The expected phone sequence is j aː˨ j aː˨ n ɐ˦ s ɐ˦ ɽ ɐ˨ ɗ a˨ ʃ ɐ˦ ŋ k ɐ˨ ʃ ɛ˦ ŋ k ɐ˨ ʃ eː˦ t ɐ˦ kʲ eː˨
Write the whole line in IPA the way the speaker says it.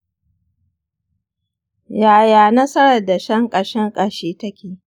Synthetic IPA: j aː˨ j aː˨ n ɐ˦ s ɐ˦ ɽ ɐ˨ d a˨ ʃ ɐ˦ ŋ kʼ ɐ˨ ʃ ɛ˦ ŋ kʼ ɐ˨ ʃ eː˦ t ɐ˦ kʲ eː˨